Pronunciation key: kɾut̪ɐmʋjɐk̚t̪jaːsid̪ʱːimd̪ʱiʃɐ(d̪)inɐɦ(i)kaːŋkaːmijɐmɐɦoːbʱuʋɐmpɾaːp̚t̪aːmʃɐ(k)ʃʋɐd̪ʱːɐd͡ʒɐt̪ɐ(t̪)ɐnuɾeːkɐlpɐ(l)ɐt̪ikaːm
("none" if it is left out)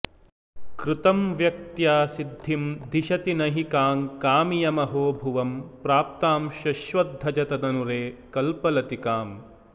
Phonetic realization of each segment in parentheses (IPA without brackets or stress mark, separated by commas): t̪, i, none, d̪, l